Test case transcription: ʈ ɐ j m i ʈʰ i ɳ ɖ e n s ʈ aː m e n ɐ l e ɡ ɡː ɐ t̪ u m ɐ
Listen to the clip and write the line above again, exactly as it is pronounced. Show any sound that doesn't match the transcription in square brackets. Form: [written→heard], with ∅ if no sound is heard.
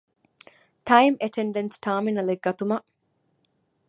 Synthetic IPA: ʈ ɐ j m [i→e] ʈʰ [i→e] ɳ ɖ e n s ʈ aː m [e→i] n ɐ l e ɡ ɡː ɐ t̪ u m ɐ